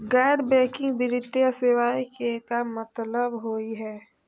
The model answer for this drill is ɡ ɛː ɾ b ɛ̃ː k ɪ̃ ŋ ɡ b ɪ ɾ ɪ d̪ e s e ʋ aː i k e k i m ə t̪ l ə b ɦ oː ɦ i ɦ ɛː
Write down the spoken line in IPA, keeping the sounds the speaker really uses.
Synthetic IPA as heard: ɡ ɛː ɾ b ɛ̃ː k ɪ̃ ŋ ɡ b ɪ ɾ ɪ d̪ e s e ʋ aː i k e k a m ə t̪ l ə b ɦ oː i ɦ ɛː